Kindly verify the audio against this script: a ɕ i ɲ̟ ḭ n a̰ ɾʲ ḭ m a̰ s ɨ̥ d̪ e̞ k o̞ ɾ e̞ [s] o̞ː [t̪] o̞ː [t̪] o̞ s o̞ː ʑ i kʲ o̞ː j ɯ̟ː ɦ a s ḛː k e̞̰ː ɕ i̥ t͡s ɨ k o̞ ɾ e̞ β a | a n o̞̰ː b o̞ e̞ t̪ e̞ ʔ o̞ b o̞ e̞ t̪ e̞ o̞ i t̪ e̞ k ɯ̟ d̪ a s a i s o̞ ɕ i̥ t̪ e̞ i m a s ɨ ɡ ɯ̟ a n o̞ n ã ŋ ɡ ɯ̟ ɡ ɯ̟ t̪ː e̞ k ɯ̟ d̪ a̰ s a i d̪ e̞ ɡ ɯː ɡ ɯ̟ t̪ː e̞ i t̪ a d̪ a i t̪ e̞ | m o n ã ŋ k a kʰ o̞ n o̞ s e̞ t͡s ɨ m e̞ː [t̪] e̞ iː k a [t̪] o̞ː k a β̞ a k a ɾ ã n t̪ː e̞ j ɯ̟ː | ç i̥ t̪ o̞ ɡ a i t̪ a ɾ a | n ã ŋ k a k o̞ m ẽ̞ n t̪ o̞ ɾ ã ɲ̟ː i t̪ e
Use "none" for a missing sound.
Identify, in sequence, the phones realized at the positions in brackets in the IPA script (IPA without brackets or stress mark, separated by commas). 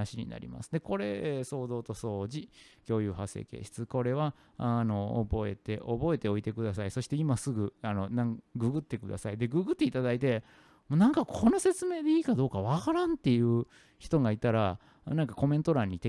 s, d̪, t̪, d̪, d̪